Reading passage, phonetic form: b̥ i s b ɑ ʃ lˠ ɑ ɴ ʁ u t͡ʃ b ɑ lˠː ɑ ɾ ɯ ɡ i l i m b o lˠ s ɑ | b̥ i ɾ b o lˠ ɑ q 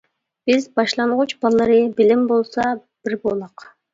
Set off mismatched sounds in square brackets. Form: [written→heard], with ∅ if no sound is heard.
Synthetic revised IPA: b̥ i [s→z] b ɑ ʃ lˠ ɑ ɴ ʁ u t͡ʃ b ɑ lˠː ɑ ɾ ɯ [ɡ→b] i l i m b o lˠ s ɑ | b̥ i ɾ b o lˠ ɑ q